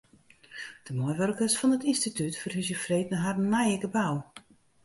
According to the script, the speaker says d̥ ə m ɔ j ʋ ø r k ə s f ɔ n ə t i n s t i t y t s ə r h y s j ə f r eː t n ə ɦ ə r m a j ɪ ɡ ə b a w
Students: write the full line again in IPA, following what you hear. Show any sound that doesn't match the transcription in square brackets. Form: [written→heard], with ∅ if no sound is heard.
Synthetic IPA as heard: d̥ ə m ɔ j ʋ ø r k ə s f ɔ n ə t i n s t i t y t [s→f] ə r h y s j ə f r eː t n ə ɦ [ə→a] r [m→n] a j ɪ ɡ ə b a w